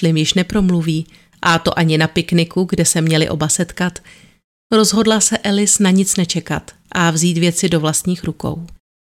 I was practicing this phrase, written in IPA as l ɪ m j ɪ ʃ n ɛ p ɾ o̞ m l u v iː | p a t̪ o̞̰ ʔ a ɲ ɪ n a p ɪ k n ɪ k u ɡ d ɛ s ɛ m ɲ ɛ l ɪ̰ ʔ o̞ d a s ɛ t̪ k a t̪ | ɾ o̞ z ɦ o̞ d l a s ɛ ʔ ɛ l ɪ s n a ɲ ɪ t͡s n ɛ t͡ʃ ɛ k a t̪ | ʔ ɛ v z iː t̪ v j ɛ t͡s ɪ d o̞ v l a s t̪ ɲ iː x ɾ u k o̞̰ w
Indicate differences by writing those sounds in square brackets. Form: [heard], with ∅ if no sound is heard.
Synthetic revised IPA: l ɪ m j ɪ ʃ n ɛ p ɾ o̞ m l u v iː | [ʔ] a t̪ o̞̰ ʔ a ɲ ɪ n a p ɪ k n ɪ k u ɡ d ɛ s ɛ m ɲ ɛ l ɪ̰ ʔ o̞ [b] a s ɛ t̪ k a t̪ | ɾ o̞ z ɦ o̞ d l a s ɛ ʔ ɛ l ɪ s n a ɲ ɪ t͡s n ɛ t͡ʃ ɛ k a t̪ | ʔ [a] v z iː t̪ v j ɛ t͡s ɪ d o̞ v l a s t̪ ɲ iː x ɾ u k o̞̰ w